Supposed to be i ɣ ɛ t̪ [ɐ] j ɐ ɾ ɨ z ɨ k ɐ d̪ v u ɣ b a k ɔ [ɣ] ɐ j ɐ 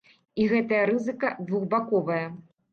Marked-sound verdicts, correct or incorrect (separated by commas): correct, incorrect